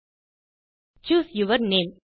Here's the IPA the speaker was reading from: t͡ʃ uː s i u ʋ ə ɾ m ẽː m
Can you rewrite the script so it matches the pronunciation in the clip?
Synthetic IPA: t͡ʃ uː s j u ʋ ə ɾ n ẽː m